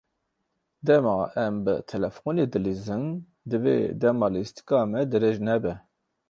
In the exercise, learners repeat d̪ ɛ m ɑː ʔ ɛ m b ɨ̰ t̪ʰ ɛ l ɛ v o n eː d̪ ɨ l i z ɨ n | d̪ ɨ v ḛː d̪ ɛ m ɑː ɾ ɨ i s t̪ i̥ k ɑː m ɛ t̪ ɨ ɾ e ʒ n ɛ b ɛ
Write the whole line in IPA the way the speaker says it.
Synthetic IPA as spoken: d̪ ɛ m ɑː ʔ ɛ m b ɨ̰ t̪ʰ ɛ l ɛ f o n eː d̪ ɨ l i z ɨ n | d̪ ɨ v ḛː d̪ ɛ m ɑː l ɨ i s t̪ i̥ k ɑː m ɛ d̪ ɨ ɾ e ʒ n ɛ b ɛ